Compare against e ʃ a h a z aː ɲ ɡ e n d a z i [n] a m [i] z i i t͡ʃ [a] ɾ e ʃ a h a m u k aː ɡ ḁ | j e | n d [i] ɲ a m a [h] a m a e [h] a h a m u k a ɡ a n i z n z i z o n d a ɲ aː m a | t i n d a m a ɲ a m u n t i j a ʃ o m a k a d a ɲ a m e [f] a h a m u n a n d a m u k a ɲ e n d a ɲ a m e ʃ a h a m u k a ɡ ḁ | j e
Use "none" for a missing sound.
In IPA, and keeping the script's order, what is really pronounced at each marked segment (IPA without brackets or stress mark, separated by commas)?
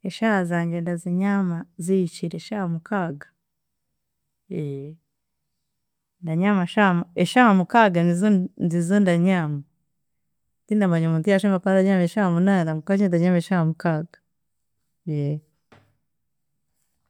ɲ, a, i, a, ʃ, ʃ, ʃ